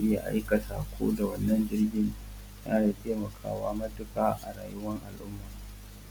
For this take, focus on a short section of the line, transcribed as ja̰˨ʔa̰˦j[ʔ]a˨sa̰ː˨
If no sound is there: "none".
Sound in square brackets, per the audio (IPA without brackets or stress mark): k